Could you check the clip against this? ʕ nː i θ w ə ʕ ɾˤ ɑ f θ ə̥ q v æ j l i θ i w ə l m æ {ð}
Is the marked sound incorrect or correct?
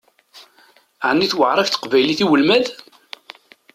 correct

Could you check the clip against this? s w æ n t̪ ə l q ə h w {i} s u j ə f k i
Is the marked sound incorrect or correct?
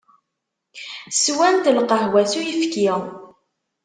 incorrect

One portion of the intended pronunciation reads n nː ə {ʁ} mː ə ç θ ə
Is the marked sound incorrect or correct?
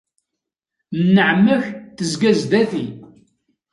incorrect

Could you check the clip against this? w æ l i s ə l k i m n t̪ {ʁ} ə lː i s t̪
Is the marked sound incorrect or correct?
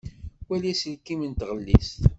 correct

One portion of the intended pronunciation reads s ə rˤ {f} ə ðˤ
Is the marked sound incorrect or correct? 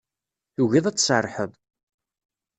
incorrect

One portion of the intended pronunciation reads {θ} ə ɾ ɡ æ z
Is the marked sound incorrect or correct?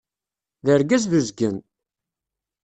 incorrect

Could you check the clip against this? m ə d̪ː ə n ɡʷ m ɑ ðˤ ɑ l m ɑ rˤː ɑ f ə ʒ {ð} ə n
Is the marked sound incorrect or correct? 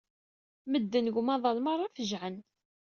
incorrect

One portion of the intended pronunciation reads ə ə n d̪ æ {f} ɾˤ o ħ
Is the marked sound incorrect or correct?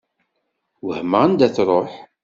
incorrect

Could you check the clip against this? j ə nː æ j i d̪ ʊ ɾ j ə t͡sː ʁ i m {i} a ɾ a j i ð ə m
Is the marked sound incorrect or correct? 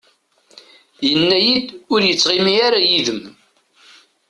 correct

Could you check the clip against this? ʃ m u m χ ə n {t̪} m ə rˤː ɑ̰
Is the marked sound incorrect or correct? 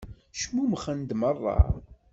incorrect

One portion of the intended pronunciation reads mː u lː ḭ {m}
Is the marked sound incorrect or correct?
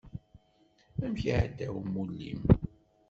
correct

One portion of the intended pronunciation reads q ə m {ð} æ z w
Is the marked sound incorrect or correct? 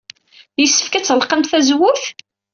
incorrect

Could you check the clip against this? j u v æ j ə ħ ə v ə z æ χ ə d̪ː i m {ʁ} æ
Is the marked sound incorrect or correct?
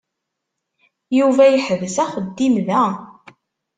incorrect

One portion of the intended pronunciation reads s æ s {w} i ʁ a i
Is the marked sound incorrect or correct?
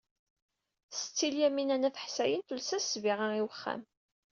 incorrect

